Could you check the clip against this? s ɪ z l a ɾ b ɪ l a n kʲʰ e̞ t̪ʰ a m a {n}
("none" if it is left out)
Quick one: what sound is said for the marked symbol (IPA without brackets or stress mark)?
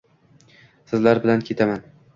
n